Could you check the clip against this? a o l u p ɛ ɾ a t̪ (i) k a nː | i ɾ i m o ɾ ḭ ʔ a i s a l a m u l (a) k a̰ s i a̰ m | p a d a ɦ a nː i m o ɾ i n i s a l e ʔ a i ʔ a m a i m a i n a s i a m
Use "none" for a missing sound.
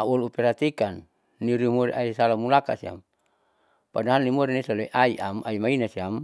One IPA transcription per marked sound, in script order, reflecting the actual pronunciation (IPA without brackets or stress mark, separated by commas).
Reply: i, a